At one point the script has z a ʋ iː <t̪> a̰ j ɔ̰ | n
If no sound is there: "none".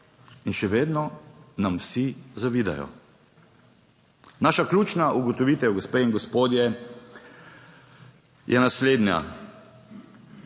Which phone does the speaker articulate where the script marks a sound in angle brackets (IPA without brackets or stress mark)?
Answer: d̪